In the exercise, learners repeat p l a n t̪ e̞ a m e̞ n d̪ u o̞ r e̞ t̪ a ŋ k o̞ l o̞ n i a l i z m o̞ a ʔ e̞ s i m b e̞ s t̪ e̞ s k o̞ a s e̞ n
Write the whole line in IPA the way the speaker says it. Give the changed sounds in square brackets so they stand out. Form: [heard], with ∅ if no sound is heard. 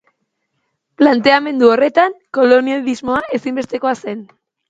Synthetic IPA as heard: p l a n t̪ e̞ a m e̞ n d̪ u o̞ r e̞ t̪ a ŋ k o̞ l o̞ n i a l i z m o̞ a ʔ e̞ s i m b e̞ s t̪ e̞ [∅] k o̞ a s e̞ n